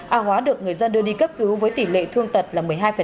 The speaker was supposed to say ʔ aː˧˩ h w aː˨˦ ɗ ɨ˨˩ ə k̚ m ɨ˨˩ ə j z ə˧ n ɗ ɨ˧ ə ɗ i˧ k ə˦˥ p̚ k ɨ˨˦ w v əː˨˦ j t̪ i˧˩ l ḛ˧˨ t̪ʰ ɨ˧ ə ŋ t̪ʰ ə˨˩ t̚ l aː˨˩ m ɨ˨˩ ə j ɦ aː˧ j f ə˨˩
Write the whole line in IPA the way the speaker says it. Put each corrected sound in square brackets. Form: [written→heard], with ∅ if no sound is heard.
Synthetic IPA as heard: ʔ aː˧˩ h w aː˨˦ ɗ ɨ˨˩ ə k̚ [m→ŋ] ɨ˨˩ ə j z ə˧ n ɗ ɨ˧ ə ɗ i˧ k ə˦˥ p̚ k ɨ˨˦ w v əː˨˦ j t̪ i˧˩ l ḛ˧˨ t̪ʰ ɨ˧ ə ŋ [t̪ʰ→t̪] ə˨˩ t̚ l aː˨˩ m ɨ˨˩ ə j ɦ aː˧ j f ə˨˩